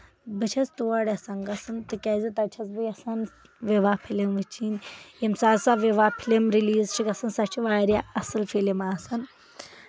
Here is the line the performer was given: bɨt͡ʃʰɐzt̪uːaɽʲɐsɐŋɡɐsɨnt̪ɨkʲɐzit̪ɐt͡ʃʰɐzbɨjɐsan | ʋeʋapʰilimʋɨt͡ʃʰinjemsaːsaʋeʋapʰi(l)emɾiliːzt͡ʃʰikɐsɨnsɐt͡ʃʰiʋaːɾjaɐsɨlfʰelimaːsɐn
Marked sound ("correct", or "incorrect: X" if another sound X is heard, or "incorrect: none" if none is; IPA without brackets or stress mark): correct